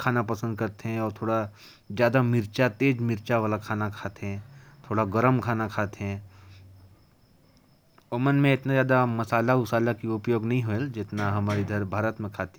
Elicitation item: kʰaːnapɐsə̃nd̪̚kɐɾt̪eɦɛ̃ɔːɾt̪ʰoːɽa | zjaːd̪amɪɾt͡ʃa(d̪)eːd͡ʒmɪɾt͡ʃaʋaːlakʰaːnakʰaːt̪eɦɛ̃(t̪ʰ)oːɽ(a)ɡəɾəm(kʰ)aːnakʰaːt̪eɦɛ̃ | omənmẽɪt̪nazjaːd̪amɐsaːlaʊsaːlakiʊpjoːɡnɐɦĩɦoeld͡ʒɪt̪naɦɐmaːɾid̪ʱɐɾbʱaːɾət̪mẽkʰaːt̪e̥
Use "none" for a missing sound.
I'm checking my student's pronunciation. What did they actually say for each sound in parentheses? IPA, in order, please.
t̪, t̪ʰ, a, kʰ

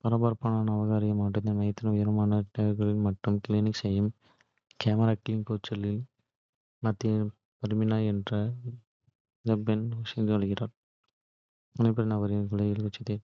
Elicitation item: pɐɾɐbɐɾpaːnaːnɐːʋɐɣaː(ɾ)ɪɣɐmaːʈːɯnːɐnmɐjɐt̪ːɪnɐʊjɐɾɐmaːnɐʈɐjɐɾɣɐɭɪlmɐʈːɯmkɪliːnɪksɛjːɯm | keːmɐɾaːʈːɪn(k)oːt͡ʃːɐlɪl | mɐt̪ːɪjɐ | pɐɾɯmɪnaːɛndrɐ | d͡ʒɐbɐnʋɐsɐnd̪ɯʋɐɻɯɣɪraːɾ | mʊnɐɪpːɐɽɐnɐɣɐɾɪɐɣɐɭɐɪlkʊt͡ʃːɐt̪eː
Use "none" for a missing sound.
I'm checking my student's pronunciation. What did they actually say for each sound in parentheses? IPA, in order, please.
ɾ, k

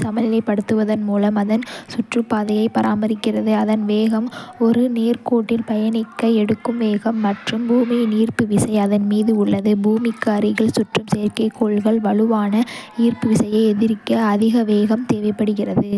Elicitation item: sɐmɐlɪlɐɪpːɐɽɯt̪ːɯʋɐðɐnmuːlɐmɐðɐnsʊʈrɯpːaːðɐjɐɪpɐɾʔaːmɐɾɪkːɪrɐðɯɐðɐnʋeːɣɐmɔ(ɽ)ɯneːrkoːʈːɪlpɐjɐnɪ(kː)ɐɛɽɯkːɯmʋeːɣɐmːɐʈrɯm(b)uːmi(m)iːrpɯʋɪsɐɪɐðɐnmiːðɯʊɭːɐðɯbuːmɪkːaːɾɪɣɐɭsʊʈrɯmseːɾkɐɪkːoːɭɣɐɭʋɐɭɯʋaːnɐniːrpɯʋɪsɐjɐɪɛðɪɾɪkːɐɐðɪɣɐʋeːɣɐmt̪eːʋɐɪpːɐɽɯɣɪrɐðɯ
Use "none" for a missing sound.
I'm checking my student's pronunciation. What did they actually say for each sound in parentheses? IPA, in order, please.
ɾ, kː, b, n

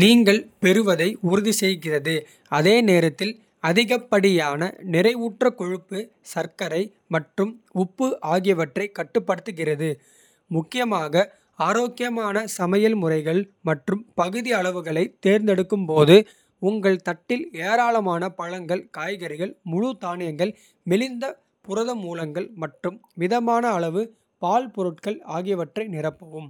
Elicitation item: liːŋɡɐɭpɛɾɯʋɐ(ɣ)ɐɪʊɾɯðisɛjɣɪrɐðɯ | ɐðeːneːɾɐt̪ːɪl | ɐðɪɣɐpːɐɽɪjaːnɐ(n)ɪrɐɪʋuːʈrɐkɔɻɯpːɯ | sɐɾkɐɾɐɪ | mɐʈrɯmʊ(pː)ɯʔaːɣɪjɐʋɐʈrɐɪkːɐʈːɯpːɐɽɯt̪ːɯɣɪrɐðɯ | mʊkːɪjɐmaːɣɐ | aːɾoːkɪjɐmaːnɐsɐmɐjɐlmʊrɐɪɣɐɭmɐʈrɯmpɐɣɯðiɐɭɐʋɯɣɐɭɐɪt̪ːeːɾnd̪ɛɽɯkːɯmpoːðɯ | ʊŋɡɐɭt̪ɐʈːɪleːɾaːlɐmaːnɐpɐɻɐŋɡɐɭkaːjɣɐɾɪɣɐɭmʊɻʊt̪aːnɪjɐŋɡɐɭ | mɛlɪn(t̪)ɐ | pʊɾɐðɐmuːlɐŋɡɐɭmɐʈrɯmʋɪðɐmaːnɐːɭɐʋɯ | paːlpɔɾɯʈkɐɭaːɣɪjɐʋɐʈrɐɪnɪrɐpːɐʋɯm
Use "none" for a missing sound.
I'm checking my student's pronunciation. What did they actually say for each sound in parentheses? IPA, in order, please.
ð, n, pː, d̪

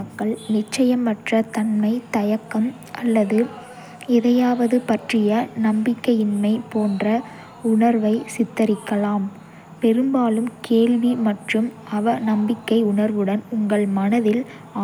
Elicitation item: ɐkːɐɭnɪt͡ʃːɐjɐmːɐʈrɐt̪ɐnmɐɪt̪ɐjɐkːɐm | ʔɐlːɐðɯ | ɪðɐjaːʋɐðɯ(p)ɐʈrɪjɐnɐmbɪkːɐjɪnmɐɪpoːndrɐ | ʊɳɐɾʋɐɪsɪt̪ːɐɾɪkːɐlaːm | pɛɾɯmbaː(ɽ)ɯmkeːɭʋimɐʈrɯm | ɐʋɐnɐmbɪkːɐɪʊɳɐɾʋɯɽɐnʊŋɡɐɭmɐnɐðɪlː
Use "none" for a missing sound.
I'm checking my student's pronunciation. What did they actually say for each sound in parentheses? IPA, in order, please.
p, l

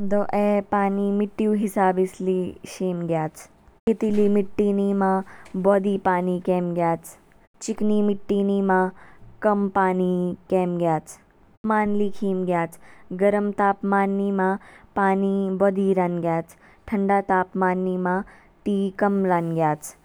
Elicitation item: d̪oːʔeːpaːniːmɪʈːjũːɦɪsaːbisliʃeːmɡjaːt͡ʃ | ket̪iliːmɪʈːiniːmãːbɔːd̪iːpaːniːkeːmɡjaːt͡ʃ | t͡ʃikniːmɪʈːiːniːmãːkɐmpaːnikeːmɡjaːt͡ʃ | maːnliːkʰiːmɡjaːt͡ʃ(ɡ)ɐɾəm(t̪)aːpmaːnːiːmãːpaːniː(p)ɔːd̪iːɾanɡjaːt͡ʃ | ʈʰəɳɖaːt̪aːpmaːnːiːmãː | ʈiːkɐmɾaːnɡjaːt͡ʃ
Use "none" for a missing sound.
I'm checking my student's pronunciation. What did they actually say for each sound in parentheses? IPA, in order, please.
ɡ, t̪, b

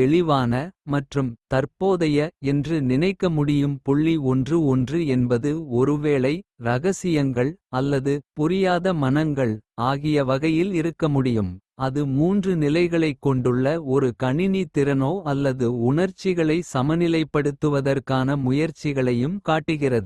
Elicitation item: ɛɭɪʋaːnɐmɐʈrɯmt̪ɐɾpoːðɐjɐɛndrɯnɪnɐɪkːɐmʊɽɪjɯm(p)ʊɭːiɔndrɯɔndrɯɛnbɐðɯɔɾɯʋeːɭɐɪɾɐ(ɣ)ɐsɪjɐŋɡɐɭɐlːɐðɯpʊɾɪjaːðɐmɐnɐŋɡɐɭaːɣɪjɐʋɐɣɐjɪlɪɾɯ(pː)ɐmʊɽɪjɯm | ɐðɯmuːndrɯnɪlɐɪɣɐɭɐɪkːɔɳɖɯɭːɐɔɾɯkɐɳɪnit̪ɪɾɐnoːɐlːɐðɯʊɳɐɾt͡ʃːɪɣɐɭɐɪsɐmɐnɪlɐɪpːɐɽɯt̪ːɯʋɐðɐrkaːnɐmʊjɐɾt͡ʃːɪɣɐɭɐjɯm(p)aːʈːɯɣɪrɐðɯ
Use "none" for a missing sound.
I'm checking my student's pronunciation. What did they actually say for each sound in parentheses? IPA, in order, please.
p, ɣ, kː, k

